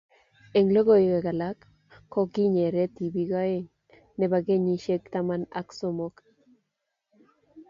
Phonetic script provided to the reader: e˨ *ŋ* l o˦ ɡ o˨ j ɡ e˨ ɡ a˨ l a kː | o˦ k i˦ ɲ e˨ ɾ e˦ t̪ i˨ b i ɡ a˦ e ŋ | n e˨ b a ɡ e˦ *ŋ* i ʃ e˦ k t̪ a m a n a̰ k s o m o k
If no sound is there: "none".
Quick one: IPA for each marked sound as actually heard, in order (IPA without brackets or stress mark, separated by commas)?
ŋ, ɲ